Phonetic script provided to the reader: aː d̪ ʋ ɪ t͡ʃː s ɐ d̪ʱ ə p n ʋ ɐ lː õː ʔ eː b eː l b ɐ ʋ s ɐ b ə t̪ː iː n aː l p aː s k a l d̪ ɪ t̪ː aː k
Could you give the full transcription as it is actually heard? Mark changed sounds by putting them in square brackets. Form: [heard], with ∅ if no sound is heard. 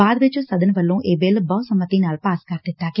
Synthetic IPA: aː d̪ ʋ ɪ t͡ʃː s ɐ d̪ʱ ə [∅] n ʋ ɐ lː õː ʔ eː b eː l b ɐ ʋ s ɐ [m] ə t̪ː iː n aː l p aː s k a [ɾ] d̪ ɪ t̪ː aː k